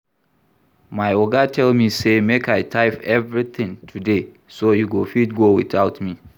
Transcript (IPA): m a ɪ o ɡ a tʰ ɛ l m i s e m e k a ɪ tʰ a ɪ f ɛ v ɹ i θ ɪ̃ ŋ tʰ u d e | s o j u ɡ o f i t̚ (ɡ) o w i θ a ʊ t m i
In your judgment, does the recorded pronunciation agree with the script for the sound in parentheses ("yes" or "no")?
yes